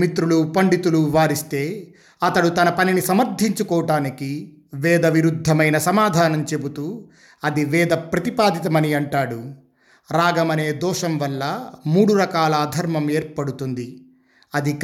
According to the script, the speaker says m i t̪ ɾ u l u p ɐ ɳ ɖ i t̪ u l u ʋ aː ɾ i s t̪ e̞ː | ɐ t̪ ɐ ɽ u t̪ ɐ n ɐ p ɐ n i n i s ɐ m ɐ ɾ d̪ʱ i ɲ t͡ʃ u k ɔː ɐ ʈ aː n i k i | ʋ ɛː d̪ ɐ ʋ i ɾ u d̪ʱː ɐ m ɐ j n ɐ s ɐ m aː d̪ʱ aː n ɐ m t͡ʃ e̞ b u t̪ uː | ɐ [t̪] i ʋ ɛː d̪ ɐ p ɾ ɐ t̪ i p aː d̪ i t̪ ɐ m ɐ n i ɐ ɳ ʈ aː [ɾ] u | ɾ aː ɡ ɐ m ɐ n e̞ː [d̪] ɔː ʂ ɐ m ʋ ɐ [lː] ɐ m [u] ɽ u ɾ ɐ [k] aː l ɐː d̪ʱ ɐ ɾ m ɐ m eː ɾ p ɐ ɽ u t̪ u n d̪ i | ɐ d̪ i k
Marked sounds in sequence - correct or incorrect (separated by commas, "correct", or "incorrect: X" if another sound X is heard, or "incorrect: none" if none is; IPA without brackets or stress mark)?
incorrect: d̪, incorrect: ɽ, correct, correct, incorrect: uː, correct